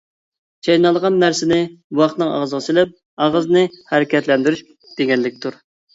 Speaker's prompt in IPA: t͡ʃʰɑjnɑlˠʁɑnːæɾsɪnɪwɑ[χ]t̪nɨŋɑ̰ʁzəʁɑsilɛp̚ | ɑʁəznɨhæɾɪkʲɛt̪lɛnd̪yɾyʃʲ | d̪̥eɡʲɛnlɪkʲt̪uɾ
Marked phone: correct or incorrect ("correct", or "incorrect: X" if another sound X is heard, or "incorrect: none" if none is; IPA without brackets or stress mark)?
correct